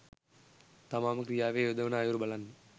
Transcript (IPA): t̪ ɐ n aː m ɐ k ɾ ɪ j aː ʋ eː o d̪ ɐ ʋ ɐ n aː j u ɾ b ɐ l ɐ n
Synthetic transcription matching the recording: t̪ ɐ m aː m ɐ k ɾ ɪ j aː ʋ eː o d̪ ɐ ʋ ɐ n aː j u ɾ b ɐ l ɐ n